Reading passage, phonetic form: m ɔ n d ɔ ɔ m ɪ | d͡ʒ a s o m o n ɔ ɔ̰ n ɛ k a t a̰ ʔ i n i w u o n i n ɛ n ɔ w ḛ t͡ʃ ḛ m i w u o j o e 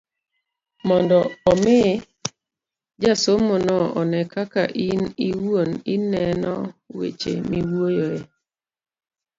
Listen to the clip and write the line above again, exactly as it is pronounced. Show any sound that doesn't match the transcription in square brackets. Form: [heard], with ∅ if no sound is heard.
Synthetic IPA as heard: m ɔ n d ɔ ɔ m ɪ | d͡ʒ a s o m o n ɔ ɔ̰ n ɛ k a [k] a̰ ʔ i n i w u o n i n ɛ n ɔ w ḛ t͡ʃ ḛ m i w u o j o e